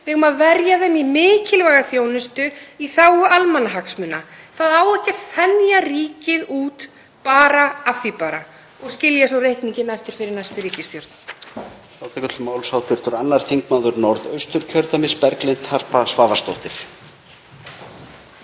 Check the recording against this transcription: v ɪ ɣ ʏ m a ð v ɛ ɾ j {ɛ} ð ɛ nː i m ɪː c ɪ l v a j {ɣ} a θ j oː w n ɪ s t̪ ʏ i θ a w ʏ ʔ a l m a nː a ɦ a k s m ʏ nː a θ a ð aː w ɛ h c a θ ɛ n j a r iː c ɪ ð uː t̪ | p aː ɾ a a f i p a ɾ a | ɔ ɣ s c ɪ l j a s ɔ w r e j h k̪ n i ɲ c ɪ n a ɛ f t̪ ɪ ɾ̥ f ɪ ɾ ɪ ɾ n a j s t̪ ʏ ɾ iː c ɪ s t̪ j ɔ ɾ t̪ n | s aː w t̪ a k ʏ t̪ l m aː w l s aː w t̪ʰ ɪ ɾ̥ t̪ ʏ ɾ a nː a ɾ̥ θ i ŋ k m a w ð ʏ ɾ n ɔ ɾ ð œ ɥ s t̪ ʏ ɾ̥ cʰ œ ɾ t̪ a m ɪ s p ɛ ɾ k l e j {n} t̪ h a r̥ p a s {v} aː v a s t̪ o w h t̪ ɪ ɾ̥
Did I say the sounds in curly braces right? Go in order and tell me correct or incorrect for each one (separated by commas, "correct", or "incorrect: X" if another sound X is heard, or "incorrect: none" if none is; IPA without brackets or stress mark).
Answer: incorrect: a, correct, correct, correct